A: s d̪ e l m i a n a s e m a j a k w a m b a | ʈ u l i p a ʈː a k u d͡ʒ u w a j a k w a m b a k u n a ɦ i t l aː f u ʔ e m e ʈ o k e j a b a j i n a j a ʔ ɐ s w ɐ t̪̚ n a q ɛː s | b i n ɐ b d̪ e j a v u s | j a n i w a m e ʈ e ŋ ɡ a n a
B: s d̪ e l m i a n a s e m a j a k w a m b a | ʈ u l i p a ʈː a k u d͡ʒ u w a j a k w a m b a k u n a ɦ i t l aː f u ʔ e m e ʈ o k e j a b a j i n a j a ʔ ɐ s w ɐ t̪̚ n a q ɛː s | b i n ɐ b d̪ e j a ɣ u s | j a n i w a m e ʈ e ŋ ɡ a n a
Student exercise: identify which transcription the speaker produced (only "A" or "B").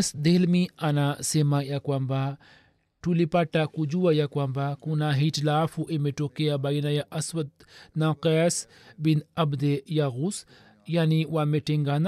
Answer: B